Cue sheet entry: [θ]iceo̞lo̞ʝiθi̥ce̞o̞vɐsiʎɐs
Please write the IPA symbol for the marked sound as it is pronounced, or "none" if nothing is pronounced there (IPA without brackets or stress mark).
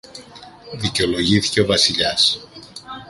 ð